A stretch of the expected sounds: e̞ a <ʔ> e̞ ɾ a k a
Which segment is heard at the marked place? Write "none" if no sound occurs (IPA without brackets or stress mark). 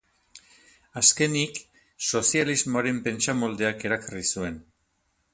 k